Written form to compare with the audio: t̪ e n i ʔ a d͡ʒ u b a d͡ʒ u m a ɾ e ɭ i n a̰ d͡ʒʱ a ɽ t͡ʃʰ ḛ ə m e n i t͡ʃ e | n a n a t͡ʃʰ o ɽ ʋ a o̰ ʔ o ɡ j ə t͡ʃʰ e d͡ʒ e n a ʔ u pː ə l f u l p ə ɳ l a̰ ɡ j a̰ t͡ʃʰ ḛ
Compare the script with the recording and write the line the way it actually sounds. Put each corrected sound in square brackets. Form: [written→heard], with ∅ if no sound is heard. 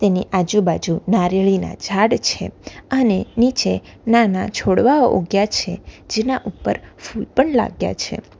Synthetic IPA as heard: t̪ e n i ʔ a d͡ʒ u b a d͡ʒ u [m→n] a ɾ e ɭ i n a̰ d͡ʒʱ a ɽ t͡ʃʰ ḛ ə [m→n] e n i t͡ʃ e | n a n a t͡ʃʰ o ɽ ʋ a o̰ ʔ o ɡ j [ə→a] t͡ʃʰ e d͡ʒ e n a ʔ u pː ə [l→ɾ] f u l p ə ɳ l a̰ ɡ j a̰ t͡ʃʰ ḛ